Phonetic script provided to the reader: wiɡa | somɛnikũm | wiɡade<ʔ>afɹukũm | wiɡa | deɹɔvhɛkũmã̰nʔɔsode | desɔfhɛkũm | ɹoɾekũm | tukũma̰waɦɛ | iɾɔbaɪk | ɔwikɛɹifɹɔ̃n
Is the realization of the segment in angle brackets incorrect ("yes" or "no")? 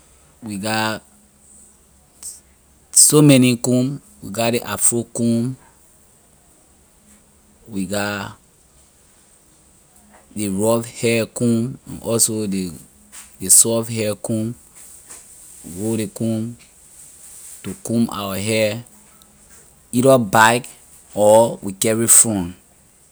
no